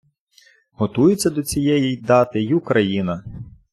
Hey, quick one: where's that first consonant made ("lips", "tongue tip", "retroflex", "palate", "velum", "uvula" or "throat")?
throat